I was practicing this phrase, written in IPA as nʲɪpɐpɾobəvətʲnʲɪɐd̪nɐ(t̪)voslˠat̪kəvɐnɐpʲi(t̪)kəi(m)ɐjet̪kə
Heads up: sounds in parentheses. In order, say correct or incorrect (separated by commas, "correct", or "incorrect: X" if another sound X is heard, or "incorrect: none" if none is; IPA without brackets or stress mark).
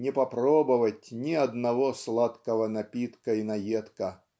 incorrect: none, correct, incorrect: n